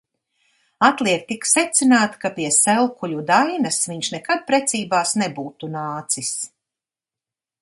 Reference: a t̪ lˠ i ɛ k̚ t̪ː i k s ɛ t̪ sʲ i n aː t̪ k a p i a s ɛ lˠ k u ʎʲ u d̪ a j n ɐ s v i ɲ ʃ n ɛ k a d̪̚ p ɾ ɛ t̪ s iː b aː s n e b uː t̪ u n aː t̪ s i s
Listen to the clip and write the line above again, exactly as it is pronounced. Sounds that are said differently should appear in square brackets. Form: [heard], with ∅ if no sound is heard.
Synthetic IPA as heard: a t̪ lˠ i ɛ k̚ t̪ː i k s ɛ t̪ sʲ i n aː t̪ k a p i [ɛ] s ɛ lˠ k u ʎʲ u d̪ a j n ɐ s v i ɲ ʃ n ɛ k a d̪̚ p ɾ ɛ t̪ s iː b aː s n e b uː t̪ u n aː t̪ s i s